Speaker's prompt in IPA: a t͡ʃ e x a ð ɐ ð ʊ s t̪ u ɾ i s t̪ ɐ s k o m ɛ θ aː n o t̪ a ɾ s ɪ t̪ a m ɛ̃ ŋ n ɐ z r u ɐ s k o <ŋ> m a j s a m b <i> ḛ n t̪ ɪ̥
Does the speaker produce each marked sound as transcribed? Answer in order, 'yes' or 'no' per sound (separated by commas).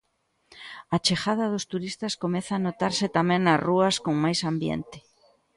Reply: yes, no